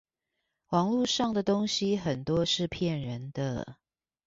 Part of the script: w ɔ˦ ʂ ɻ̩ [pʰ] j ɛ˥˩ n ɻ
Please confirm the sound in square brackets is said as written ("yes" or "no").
yes